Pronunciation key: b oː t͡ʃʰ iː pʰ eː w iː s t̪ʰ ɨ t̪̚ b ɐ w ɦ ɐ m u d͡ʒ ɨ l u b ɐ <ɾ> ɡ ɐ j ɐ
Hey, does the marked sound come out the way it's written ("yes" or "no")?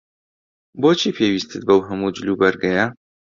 yes